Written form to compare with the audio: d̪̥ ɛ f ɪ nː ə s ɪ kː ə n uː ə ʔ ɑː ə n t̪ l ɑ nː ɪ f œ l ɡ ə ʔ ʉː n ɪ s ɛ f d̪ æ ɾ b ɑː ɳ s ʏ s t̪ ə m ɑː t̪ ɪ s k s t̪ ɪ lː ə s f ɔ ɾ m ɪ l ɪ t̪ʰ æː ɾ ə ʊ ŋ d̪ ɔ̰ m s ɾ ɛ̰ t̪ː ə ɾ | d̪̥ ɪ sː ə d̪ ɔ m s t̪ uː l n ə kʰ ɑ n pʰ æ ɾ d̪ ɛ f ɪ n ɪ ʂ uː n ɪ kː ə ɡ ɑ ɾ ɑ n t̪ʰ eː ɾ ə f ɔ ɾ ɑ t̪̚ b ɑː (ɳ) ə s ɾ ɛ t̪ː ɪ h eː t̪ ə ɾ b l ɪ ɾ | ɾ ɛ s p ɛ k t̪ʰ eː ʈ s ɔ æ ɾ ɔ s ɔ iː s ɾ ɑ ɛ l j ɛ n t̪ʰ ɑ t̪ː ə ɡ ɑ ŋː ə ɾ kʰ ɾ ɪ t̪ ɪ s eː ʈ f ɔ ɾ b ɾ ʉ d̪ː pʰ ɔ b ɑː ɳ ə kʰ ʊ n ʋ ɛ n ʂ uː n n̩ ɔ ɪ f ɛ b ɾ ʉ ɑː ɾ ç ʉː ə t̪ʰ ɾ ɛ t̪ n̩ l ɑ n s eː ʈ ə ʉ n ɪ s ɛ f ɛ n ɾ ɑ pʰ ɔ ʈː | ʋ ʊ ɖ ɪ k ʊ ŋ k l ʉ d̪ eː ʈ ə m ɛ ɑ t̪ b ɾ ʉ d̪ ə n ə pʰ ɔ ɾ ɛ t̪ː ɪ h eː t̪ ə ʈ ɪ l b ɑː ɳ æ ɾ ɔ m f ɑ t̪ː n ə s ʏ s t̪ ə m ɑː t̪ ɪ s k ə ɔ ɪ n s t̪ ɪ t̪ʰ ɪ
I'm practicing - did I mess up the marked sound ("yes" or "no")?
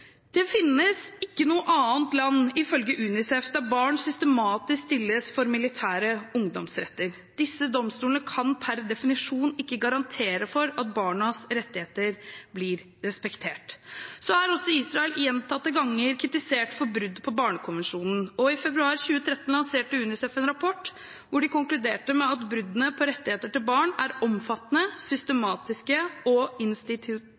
no